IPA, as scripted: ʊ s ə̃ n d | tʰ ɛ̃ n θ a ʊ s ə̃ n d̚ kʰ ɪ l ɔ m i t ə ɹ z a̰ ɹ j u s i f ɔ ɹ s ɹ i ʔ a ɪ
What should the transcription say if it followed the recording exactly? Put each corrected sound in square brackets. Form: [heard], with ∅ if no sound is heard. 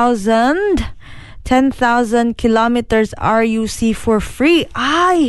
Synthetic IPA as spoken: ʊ [z] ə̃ n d | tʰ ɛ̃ n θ a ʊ [z] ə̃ n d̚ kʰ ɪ l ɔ m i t ə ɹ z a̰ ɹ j u s i f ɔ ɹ [f] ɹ i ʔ a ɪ